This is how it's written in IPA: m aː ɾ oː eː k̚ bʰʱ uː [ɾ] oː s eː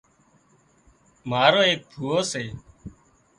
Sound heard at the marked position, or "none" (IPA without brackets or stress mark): none